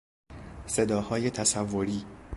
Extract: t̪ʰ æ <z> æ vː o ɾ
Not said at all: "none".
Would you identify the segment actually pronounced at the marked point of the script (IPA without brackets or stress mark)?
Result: s